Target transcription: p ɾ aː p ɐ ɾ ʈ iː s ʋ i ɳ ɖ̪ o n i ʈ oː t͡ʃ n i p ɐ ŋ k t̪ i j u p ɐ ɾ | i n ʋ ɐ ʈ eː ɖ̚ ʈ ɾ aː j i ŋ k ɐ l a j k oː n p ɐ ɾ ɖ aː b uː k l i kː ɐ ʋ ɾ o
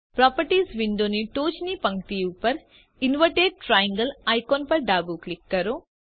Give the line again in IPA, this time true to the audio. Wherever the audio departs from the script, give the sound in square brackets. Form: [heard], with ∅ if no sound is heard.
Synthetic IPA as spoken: p ɾ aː p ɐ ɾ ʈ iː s ʋ i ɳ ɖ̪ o n i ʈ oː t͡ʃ n i p ɐ ŋ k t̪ i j u p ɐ ɾ | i n ʋ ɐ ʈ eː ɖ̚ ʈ ɾ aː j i ŋ [ɡ] ɐ l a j k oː n p ɐ ɾ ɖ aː b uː k l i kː ɐ [∅] ɾ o